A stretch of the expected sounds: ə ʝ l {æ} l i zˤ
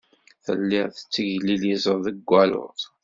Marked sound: incorrect: i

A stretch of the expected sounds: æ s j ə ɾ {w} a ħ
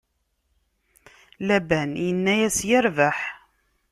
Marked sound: incorrect: v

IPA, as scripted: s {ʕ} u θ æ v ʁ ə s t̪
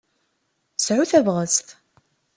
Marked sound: correct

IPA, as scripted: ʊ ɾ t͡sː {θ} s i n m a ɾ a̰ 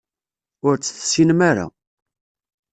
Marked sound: correct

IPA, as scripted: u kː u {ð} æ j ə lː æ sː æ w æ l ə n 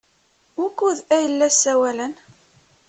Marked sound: correct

